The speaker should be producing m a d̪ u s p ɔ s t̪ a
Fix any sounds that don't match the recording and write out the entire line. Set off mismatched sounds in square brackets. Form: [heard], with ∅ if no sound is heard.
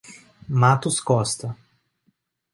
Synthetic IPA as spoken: m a [t̪] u s [k] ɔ s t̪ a